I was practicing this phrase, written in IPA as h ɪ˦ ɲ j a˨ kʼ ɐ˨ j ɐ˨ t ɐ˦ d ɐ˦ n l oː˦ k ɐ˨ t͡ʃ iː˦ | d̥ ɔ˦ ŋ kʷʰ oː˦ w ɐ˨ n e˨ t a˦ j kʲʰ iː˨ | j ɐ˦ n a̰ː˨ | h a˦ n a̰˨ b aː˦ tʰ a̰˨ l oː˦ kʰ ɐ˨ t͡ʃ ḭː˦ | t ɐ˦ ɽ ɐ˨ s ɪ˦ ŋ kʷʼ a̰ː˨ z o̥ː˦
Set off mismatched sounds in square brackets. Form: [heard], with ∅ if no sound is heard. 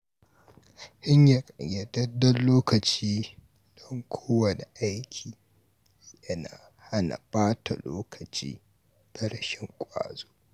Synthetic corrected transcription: h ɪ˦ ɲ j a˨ kʼ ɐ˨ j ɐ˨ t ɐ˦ d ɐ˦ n l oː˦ k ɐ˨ t͡ʃ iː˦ | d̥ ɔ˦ ŋ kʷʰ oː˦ w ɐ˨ n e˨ [ʔ] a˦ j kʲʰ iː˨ | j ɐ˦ n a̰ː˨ | h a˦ n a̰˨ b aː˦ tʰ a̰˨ l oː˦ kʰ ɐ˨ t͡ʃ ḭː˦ | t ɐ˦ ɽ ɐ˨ [ʃ] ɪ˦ ŋ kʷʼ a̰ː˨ z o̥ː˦